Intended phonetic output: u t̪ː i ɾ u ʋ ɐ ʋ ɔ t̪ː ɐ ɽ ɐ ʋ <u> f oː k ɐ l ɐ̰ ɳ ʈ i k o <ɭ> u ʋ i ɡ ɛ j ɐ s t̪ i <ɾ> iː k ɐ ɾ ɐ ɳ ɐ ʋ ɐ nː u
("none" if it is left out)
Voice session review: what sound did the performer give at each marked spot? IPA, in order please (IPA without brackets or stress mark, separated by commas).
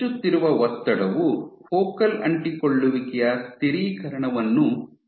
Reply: u, ɭː, ɾ